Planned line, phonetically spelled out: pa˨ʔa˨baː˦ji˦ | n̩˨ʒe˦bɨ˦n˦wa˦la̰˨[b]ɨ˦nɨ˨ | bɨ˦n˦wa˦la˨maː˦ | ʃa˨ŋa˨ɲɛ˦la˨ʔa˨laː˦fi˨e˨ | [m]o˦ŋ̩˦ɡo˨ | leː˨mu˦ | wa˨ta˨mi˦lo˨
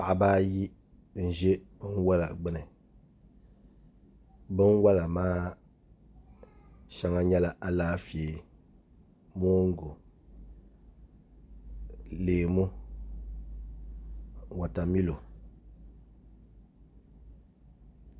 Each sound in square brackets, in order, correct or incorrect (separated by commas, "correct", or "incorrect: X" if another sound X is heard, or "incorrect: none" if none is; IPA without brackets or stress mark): incorrect: ɡ͡b, correct